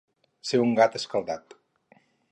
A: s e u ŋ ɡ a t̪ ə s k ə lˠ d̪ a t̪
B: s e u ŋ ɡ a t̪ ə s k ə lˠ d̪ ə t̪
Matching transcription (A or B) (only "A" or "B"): A